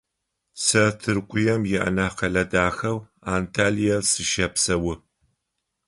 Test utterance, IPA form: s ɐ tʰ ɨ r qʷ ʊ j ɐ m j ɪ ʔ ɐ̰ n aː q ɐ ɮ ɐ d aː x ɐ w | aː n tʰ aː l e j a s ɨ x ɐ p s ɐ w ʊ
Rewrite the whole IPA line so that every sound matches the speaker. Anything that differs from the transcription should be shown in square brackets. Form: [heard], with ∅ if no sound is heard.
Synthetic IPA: s ɐ tʰ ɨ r qʷ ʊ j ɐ m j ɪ ʔ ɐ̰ n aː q ɐ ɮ ɐ d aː x ɐ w | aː n tʰ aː l [i] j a s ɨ [ʃ] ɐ p s ɐ w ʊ